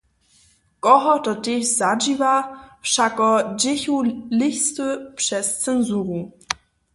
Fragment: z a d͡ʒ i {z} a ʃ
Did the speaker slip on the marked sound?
yes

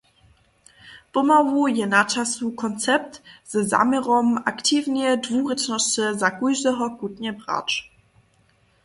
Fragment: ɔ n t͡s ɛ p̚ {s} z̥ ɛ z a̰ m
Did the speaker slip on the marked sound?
yes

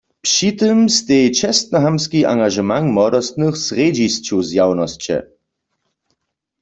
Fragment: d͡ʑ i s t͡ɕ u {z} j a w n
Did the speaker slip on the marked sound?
no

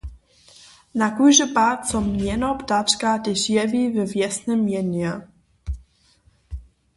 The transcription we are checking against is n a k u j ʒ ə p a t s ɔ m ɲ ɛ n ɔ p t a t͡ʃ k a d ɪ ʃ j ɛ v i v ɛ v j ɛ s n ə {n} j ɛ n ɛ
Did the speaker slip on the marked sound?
yes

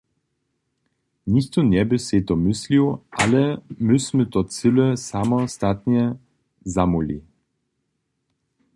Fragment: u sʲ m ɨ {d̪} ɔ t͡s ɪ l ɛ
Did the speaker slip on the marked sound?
yes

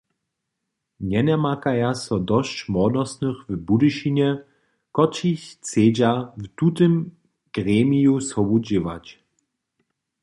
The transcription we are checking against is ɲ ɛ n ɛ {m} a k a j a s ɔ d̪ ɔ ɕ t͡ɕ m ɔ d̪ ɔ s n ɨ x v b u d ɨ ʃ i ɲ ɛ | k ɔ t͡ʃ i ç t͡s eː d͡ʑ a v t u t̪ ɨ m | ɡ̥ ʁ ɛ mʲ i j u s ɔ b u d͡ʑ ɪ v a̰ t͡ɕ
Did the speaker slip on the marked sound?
no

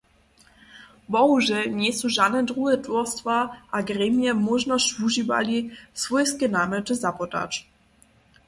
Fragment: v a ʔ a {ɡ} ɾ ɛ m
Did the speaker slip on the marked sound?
no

